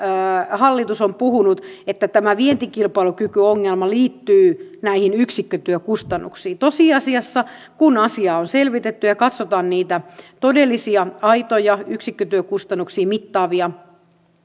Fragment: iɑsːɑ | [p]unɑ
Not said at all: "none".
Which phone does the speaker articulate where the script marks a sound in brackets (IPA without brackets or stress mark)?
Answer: k